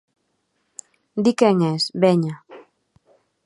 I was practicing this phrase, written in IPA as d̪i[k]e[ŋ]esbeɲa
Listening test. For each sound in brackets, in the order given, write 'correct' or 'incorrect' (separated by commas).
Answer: correct, correct